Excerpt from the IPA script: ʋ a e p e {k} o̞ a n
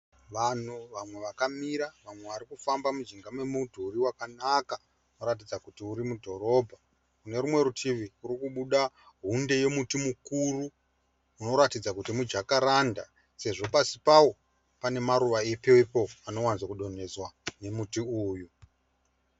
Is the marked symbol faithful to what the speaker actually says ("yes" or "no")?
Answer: no